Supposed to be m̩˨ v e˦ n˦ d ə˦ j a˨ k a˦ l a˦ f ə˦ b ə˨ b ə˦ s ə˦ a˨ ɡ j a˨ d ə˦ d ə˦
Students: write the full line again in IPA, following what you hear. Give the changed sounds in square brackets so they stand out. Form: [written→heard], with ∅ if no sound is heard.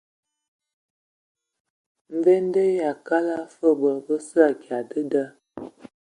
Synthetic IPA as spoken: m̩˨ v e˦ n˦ d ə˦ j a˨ k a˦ l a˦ f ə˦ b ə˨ b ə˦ s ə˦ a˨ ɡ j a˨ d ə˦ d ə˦

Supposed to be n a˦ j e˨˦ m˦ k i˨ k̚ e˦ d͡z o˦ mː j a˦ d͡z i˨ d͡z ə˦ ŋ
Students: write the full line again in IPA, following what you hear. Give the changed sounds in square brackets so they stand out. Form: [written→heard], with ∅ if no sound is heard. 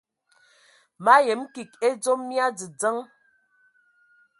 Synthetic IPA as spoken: [n→m] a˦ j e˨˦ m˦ k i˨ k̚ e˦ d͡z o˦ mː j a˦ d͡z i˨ d͡z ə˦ ŋ

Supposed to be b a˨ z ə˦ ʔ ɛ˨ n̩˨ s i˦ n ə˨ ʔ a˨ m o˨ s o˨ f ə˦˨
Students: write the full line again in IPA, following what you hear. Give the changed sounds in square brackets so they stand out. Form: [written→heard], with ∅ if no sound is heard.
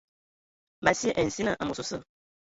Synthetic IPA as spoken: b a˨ [z→s] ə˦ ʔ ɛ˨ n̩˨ s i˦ n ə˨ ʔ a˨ m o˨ s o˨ [f→s] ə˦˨

